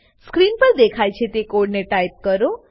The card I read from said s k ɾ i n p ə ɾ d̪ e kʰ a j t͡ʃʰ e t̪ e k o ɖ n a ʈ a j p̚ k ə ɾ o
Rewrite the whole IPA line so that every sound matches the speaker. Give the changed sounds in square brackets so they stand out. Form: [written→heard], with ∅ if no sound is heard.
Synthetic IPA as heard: s k ɾ i n p ə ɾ d̪ e kʰ a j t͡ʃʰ e t̪ e k o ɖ n [a→e] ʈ a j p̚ k ə ɾ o